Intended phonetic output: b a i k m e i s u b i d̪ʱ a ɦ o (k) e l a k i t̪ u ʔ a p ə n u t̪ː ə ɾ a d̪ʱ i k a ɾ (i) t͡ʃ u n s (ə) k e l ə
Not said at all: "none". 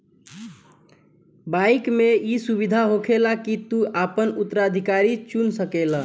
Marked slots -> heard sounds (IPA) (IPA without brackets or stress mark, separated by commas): kʰ, i, ə